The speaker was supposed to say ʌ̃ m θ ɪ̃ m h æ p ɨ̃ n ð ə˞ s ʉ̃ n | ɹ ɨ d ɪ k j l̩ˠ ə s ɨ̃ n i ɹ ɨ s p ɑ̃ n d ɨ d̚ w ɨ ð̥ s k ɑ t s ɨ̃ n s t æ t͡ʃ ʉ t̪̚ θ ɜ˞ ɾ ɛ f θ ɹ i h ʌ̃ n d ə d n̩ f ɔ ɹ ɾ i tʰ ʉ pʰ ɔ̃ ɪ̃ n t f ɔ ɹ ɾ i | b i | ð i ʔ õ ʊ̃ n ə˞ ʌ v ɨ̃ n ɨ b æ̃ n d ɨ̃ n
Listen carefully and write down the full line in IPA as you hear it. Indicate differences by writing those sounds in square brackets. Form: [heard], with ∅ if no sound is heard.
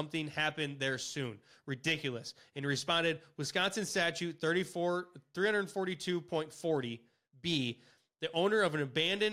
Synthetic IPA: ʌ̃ m θ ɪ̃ [ŋ] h æ p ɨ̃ n ð ə˞ s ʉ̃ n | ɹ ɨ d ɪ k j l̩ˠ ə s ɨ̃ n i ɹ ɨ s p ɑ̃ n d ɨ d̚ w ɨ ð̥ s k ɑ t s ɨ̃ n s t æ t͡ʃ ʉ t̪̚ θ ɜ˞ ɾ [i] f θ ɹ i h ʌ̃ n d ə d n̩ f ɔ ɹ ɾ i tʰ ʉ pʰ ɔ̃ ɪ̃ n t f ɔ ɹ ɾ i | b i | ð i ʔ õ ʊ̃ n ə˞ ʌ v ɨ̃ n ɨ b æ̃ n d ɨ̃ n